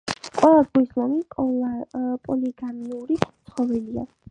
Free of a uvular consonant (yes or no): no